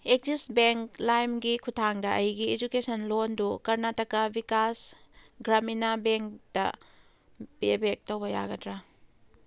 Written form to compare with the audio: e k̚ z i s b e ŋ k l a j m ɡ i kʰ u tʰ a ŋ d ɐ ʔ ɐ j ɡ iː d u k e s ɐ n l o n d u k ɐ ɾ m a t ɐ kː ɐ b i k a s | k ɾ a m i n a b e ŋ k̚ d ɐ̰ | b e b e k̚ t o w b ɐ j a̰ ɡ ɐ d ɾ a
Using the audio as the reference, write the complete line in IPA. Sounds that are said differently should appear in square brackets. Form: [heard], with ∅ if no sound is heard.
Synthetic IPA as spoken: e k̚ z i s b e ŋ k l a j m ɡ i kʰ u tʰ a ŋ d ɐ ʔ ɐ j ɡ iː [d͡ʒ] u k e s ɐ n l o n d u k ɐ ɾ [n] a t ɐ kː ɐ b i k a s | [ɡ] ɾ a m i n a b e ŋ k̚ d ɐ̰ | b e b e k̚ t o w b ɐ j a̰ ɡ ɐ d ɾ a